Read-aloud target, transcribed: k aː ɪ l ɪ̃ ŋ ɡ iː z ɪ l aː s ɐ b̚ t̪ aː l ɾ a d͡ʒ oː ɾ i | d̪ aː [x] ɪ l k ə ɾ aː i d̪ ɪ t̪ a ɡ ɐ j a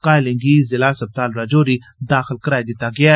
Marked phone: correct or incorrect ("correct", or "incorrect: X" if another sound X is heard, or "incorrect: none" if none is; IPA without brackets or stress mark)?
correct